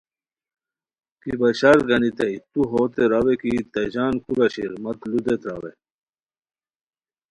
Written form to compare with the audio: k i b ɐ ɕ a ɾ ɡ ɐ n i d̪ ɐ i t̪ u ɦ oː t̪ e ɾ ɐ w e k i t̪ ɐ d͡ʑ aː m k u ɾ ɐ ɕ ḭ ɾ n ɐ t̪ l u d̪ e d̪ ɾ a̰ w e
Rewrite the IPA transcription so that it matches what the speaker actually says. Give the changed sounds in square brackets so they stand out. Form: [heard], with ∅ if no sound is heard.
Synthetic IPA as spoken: k i b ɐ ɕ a ɾ ɡ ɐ n i [t̪] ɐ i t̪ u ɦ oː t̪ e ɾ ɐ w e k i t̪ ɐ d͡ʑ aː [n] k u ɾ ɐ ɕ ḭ ɾ [m] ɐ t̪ l u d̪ e [t̪] ɾ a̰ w e